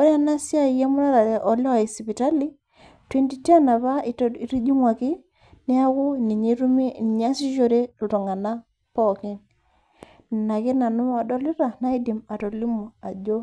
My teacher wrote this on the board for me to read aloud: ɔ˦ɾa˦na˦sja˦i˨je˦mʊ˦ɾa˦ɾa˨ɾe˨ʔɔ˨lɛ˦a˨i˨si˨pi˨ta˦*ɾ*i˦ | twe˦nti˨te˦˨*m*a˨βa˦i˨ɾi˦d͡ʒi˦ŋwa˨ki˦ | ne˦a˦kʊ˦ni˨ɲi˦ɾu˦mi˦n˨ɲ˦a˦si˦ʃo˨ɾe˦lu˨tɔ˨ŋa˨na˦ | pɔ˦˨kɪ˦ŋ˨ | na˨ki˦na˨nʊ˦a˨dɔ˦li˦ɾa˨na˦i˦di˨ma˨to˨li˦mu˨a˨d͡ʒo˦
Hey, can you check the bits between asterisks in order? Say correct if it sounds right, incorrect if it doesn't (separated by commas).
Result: incorrect, incorrect